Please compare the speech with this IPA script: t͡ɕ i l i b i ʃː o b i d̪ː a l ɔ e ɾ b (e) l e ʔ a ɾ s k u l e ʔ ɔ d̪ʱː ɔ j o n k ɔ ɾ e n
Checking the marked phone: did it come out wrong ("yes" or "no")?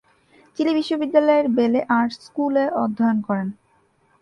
no